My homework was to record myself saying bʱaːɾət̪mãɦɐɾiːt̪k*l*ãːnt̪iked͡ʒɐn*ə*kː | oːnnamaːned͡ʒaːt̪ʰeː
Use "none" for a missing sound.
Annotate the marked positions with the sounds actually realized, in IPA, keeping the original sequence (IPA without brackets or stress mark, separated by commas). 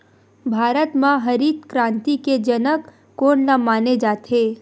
ɾ, ə